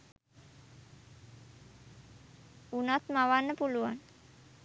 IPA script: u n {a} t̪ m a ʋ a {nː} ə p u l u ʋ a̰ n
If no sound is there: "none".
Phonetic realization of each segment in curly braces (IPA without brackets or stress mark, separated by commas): a, nː